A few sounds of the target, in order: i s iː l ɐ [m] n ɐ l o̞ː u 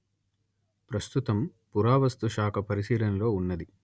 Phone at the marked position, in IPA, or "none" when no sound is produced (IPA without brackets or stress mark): none